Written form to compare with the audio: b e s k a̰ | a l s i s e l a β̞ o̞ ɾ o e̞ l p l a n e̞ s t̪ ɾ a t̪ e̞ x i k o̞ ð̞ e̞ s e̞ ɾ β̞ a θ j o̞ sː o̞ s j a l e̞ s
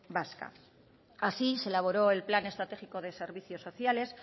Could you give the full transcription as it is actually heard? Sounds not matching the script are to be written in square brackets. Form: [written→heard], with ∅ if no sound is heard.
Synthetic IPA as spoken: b [e→a] s k a̰ | a [l→∅] s i s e l a β̞ o̞ ɾ o e̞ l p l a n e̞ s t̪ ɾ a t̪ e̞ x i k o̞ ð̞ e̞ s e̞ ɾ β̞ [a→i] θ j o̞ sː o̞ [s→θ] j a l e̞ s